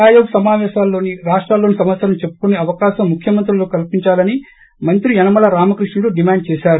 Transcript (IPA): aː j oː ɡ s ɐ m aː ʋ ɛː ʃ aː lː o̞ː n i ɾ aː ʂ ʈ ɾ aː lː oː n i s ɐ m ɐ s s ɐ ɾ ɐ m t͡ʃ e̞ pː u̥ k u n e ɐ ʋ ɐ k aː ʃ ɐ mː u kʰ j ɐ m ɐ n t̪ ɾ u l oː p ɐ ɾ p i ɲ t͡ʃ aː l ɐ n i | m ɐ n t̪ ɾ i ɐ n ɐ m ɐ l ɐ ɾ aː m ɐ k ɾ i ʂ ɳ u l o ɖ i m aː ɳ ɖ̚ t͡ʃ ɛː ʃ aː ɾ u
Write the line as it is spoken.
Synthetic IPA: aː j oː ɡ s ɐ m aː ʋ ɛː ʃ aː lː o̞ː n i ɾ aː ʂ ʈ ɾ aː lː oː n i s ɐ m ɐ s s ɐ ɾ ɐ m t͡ʃ e̞ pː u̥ k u n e ɐ ʋ ɐ k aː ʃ ɐ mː u kʰ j ɐ m ɐ n t̪ ɾ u l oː k ɐ l p i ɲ t͡ʃ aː l ɐ n i | m ɐ n t̪ ɾ i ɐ n ɐ m ɐ l ɐ ɾ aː m ɐ k ɾ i ʂ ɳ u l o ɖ i m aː ɳ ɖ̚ t͡ʃ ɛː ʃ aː ɾ u